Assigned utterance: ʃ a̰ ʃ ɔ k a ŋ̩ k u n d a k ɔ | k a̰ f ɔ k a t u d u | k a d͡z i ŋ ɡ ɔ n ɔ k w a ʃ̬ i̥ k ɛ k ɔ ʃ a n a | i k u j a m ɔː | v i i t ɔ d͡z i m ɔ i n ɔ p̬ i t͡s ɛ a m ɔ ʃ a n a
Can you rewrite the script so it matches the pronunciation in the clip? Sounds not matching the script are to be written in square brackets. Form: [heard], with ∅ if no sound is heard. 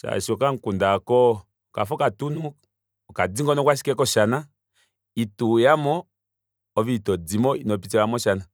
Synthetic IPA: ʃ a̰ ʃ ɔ k a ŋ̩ k u n d a k ɔ | k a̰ f ɔ k a t u [n] u | k a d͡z i ŋ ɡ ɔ n ɔ k w a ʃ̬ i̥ k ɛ k ɔ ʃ a n a | i [t] u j a m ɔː | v i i t ɔ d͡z i m ɔ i n ɔ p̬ i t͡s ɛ a m ɔ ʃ a n a